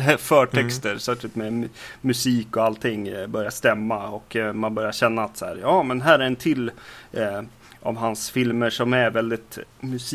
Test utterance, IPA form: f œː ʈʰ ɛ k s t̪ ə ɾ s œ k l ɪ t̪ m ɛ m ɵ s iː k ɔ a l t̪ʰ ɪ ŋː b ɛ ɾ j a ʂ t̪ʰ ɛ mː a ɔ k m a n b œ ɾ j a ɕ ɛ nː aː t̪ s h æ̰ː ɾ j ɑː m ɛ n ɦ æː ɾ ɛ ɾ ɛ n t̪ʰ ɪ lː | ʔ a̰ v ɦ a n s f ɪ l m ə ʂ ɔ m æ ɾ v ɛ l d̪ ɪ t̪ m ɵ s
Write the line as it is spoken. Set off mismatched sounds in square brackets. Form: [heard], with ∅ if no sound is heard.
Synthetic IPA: f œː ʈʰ ɛ k s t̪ ə ɾ s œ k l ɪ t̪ m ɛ m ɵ s iː k ɔ a l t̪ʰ ɪ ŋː b [œ] ɾ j a ʂ [t̪] ɛ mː a ɔ k m a n b œ ɾ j a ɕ ɛ nː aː t̪ s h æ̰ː ɾ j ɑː m ɛ n ɦ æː ɾ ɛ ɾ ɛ n t̪ʰ ɪ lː | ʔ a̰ v ɦ a n s f ɪ l m ə ʂ ɔ m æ ɾ v ɛ l d̪ ɪ t̪ m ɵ s